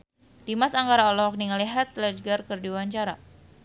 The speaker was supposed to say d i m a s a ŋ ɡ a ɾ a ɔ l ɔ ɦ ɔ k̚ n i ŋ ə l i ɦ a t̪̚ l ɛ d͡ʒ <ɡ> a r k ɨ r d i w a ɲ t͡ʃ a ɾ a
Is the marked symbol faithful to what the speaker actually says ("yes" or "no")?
yes